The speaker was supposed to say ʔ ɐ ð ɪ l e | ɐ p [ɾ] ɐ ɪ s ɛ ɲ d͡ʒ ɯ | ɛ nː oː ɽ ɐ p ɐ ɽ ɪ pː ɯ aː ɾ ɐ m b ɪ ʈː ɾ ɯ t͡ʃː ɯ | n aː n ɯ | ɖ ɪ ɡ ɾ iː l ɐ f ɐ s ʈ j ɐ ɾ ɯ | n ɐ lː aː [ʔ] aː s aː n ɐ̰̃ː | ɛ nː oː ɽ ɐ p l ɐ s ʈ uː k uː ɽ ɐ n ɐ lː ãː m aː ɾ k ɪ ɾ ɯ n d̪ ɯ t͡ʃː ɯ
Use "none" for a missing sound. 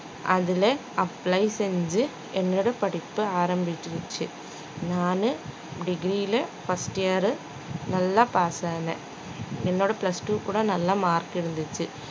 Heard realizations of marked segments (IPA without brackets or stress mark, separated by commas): l, p